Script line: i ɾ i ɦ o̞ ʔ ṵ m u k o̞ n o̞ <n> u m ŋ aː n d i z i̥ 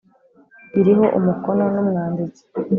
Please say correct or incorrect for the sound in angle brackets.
correct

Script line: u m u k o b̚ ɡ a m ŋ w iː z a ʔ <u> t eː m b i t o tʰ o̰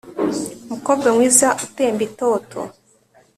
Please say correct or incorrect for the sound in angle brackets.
correct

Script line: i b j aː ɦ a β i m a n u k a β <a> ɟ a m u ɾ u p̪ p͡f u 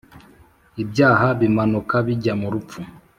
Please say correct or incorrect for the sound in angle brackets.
incorrect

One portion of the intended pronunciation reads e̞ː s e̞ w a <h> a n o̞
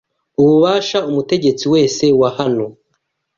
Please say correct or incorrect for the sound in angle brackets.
correct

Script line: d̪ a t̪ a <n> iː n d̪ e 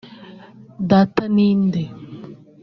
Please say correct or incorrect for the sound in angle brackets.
correct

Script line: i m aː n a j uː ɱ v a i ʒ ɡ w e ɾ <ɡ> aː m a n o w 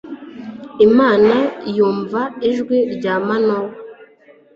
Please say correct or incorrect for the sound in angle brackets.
incorrect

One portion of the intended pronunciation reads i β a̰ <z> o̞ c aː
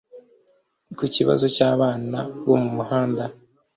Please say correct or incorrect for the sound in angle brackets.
correct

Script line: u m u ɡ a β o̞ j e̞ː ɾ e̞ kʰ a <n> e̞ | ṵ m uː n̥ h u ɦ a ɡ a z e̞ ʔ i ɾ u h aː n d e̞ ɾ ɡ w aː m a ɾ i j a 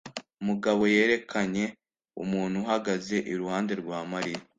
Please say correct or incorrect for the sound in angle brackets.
incorrect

